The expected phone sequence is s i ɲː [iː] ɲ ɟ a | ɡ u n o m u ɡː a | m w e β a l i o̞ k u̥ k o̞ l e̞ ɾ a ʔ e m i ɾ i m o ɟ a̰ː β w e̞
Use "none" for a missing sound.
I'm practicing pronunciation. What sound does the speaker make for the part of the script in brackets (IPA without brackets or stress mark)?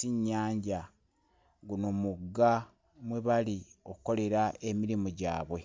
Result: aː